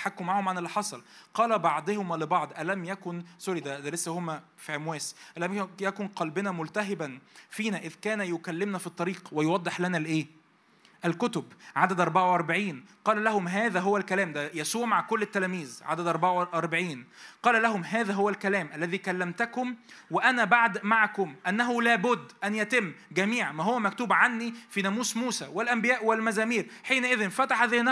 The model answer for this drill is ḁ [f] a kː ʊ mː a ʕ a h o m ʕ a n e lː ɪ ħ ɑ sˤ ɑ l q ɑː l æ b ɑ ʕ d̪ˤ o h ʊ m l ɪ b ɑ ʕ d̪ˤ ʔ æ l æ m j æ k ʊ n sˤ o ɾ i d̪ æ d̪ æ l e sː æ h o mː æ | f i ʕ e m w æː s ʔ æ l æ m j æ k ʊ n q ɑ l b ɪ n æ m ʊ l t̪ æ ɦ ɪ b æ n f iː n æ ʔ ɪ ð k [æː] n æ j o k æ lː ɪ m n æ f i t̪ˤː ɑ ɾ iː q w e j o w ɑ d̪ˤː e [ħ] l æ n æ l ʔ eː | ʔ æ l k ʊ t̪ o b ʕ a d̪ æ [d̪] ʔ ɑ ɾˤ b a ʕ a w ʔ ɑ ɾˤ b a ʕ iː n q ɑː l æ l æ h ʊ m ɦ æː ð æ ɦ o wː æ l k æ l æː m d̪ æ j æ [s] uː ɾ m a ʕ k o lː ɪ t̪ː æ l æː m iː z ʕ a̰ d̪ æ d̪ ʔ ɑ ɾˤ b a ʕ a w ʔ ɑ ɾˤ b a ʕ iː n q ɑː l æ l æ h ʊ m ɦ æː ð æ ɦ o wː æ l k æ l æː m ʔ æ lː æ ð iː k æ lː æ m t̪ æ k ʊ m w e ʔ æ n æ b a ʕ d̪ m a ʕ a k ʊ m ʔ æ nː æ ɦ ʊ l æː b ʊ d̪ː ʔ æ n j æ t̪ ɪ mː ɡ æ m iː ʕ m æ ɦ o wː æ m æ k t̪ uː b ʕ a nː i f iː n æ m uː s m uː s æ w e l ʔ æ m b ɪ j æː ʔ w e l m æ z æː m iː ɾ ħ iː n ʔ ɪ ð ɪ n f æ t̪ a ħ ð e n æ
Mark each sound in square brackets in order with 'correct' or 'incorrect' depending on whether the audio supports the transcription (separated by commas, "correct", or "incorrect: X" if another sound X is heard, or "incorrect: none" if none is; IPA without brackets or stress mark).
incorrect: ħ, correct, correct, correct, correct